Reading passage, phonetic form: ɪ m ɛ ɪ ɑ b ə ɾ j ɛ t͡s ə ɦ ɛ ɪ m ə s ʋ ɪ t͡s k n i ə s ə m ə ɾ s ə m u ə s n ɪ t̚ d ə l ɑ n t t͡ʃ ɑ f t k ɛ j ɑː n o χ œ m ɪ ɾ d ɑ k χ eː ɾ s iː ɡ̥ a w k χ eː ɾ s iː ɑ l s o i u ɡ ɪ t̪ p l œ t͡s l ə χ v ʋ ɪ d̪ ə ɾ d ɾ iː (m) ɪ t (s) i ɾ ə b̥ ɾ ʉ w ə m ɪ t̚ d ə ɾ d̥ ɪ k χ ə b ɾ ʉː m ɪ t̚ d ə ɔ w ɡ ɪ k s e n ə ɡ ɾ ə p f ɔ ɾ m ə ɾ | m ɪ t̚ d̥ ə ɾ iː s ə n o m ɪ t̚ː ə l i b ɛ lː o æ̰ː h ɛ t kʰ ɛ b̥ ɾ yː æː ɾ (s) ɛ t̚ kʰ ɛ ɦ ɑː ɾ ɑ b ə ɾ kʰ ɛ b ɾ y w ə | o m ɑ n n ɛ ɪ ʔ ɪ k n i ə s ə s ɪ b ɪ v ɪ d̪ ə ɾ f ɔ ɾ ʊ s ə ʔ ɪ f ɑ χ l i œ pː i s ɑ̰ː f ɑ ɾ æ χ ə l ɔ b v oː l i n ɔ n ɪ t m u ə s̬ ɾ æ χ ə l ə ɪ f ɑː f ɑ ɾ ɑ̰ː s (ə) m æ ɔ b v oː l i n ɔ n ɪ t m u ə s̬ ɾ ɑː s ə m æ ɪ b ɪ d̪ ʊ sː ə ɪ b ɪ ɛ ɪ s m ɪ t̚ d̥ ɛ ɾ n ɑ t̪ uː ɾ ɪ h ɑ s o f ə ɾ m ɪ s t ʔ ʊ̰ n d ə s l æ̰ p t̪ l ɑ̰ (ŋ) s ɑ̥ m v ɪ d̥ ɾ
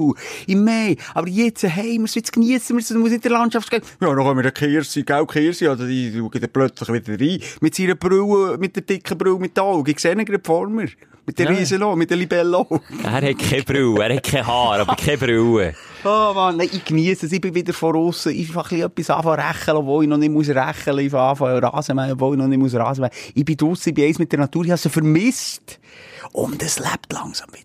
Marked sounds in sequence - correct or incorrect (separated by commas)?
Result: correct, correct, incorrect, correct, correct